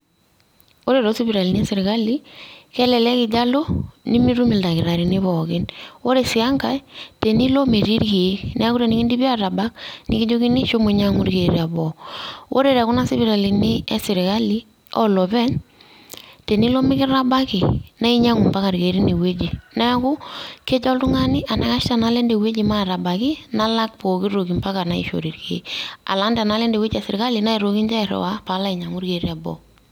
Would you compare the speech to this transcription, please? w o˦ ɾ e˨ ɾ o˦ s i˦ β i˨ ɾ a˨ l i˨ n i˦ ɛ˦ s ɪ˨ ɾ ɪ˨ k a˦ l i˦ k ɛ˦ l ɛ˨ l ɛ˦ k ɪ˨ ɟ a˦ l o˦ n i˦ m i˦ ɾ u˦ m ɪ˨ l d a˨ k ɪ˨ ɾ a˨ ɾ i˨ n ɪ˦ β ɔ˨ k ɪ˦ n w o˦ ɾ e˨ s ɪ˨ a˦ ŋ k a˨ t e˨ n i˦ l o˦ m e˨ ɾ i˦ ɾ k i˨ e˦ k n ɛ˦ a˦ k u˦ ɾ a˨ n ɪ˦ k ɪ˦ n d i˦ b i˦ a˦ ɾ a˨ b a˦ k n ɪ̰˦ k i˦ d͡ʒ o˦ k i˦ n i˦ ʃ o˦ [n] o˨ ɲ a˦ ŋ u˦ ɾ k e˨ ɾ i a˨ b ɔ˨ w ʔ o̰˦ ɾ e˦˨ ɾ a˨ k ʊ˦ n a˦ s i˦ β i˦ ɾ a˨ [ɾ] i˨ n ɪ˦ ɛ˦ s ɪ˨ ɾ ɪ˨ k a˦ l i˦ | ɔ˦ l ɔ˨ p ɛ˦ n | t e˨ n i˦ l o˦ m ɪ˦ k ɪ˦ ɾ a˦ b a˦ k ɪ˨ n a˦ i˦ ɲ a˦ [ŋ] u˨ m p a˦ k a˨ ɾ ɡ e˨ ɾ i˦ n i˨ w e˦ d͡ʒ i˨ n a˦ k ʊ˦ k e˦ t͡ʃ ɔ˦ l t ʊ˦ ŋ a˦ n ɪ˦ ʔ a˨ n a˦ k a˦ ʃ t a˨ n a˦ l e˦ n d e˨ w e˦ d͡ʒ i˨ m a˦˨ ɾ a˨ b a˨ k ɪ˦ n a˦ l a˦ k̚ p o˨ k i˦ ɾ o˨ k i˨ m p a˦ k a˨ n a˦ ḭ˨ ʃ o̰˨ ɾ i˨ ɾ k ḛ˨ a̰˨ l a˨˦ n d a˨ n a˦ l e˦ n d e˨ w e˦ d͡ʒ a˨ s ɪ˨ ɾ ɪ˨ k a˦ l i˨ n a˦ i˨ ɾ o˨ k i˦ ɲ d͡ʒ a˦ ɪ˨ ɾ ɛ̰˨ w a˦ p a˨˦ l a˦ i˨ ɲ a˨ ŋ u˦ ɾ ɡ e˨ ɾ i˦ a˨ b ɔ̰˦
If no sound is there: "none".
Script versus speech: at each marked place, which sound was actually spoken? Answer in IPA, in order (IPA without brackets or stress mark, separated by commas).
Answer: m, l, ŋ